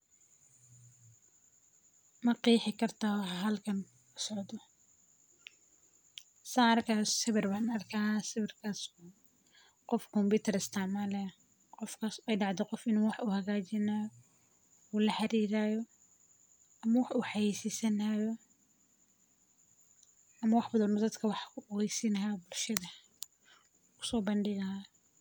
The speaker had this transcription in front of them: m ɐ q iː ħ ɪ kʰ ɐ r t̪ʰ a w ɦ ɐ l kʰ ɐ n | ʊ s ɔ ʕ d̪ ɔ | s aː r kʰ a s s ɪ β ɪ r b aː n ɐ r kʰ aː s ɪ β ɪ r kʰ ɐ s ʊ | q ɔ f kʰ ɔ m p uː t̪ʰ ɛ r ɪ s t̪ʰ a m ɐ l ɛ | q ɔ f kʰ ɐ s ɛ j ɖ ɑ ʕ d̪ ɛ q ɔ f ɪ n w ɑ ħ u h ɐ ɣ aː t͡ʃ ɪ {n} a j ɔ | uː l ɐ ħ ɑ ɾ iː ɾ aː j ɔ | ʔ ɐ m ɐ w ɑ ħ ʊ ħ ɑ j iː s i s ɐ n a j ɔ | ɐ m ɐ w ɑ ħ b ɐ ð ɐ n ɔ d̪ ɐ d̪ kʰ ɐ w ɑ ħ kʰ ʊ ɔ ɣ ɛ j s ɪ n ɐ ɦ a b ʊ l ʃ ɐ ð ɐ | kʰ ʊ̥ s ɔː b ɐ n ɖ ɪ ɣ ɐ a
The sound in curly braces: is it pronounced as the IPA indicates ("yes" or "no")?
yes